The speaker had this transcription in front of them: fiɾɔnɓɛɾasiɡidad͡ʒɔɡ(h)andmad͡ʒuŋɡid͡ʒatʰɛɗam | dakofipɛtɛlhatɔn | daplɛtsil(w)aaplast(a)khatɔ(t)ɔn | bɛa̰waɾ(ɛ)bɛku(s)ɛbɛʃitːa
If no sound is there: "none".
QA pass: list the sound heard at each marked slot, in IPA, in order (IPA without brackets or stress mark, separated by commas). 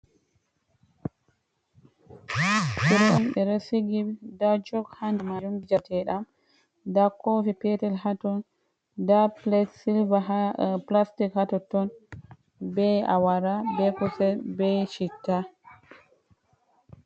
h, v, i, t, a, s